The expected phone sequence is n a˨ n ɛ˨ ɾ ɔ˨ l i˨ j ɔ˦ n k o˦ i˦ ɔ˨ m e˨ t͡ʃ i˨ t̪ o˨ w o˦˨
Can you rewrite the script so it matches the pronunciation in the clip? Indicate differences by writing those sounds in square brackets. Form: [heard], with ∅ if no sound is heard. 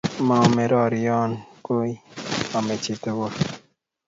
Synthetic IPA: [m] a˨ [m] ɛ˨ ɾ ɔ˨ [ɾ] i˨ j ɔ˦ n k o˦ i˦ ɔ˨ m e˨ t͡ʃ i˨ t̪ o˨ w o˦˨